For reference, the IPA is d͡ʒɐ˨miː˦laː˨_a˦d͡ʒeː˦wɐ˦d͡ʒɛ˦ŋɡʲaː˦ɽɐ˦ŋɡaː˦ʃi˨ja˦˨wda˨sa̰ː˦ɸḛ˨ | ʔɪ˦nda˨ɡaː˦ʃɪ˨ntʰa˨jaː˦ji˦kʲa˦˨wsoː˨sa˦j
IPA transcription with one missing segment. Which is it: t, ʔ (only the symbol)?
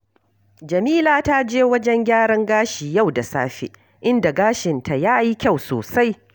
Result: t